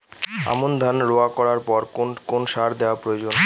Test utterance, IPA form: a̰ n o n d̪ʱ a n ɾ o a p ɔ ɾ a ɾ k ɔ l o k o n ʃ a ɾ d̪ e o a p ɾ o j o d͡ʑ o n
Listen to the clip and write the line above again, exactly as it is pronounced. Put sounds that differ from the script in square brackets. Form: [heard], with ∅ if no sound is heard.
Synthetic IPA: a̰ [m] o n d̪ʱ a n ɾ o a [k] ɔ ɾ a ɾ [p] ɔ [ɾ] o k o n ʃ a ɾ d̪ e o a p ɾ o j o d͡ʑ o n

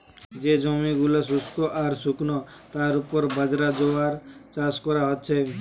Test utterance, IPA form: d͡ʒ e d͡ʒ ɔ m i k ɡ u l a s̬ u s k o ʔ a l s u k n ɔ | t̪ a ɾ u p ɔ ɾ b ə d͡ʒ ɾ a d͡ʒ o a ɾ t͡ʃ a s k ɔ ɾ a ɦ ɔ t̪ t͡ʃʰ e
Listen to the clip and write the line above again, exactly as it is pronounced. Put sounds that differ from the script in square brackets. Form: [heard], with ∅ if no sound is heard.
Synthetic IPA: d͡ʒ e d͡ʒ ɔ m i [∅] ɡ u l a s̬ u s k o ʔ a [ɾ] s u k n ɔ | t̪ a ɾ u p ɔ ɾ b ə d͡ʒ ɾ a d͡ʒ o a ɾ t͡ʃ a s k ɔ ɾ a ɦ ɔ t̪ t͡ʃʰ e

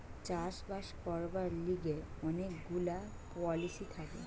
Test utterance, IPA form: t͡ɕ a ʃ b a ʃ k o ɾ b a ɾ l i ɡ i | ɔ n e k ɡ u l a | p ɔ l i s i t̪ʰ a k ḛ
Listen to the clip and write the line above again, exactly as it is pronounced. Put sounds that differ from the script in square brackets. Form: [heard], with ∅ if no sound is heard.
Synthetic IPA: t͡ɕ a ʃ b a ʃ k [ɔ] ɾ b a ɾ l i ɡ [e] | ɔ n e k ɡ u l a | p ɔ l i s i t̪ʰ a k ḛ

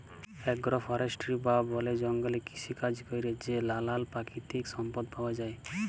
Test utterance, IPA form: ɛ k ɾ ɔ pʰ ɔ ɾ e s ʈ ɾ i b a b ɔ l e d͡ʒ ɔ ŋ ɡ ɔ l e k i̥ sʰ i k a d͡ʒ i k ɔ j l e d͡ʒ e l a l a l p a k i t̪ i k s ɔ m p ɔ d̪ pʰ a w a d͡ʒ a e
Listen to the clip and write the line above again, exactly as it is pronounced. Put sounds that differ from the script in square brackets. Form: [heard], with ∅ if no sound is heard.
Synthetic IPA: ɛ [ɡ] ɾ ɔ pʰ ɔ ɾ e s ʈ ɾ i b a b ɔ l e d͡ʒ ɔ ŋ ɡ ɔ l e k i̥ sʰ i k a d͡ʒ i k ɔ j [ɾ] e d͡ʒ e l a l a l p a k i t̪ i k s ɔ m p ɔ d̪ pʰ a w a d͡ʒ a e

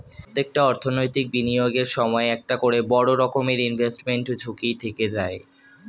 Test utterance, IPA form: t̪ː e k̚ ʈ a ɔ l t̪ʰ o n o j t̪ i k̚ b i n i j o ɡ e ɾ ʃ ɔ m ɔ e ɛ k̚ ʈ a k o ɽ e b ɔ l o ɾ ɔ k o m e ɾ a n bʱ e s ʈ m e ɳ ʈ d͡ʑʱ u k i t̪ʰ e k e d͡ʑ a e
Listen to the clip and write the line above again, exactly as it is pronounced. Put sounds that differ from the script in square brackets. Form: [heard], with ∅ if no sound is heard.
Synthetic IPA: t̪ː e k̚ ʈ a ɔ [ɾ] t̪ʰ o n o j t̪ i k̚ b i n i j o ɡ e ɾ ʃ ɔ m ɔ e ɛ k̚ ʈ a k o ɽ e b ɔ [ɽ] o ɾ ɔ k o m e ɾ [i] n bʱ e s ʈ m e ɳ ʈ d͡ʑʱ u k i t̪ʰ e k e d͡ʑ a e

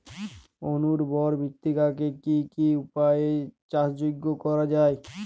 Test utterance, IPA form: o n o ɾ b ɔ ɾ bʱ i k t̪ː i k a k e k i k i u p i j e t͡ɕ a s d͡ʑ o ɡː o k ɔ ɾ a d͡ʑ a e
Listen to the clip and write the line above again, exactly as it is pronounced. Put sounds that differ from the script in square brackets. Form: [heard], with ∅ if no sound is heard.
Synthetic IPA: o n [u] ɾ b ɔ ɾ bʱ i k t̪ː i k a k e k i k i u p [a] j e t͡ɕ a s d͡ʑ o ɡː o k ɔ ɾ a d͡ʑ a e

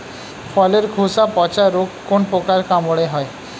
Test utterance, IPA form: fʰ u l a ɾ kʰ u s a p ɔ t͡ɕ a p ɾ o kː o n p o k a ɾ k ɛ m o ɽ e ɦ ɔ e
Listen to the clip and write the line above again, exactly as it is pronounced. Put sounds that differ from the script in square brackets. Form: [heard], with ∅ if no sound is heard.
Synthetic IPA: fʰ [ɔ] l [e] ɾ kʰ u s a p ɔ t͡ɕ a [∅] ɾ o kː o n p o k a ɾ k [a] m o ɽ e ɦ ɔ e

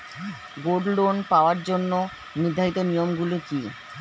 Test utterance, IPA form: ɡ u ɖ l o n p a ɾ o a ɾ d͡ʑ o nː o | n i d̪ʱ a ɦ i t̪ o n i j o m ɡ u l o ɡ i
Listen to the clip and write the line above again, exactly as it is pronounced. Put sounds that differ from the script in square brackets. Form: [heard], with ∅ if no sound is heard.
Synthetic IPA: ɡ [o] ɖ l o n p a [∅] o a ɾ d͡ʑ o nː o | n i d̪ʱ a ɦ i t̪ o n i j o m ɡ u l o [k] i

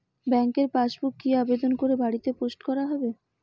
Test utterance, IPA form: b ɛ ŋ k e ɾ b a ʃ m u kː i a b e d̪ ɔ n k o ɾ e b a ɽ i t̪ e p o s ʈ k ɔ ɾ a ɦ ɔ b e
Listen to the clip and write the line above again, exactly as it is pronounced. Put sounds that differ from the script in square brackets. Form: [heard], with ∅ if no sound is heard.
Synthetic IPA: b ɛ ŋ k e ɾ [p] a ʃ [b] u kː i a b e d̪ [o] n k o ɾ e b a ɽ i t̪ e p o s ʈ k ɔ ɾ a ɦ ɔ b e

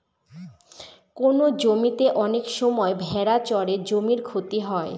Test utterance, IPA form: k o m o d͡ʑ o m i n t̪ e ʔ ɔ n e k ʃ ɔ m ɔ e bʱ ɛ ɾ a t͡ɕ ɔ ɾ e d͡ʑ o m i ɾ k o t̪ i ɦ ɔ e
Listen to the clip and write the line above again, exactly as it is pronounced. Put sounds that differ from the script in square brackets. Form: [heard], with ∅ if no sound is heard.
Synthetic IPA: k o [n] o d͡ʑ o m i [∅] t̪ e ʔ ɔ n e k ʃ ɔ m ɔ e bʱ ɛ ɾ a t͡ɕ ɔ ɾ e d͡ʑ o m i ɾ [kʰ] o t̪ i ɦ ɔ e

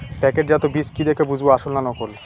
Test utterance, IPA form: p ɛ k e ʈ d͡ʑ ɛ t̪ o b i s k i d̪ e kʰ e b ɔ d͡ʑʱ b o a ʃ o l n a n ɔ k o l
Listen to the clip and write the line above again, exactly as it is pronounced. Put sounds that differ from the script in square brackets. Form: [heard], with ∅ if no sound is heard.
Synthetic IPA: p ɛ k e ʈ d͡ʑ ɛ t̪ o b i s k i d̪ e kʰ e b [u] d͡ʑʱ b o a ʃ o l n a n ɔ k o l

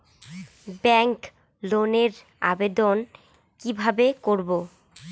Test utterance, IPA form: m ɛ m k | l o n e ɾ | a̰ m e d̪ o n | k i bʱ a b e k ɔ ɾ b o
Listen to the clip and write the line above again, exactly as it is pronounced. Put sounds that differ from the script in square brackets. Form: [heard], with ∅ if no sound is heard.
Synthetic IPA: [b] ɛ [ŋ] k | l o n e ɾ | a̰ [b] e d̪ o n | k i bʱ a b e k [o] ɾ b o

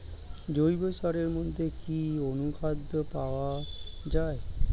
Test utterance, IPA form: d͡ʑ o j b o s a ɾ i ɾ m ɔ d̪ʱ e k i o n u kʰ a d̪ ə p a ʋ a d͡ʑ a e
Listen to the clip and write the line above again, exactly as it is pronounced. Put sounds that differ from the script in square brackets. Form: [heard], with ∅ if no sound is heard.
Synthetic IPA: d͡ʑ o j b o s a ɾ [e] ɾ m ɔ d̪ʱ e k i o n u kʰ a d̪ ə p a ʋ a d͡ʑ a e

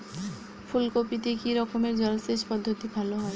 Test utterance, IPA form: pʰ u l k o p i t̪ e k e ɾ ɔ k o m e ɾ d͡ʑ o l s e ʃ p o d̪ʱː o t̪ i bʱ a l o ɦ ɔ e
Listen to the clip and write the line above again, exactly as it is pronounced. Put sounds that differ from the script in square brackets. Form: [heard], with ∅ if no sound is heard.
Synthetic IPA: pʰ u l k o p i t̪ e k [i] ɾ ɔ k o m e ɾ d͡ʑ [ɔ] l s e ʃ p [ɔ] d̪ʱː o t̪ i bʱ a l o ɦ ɔ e

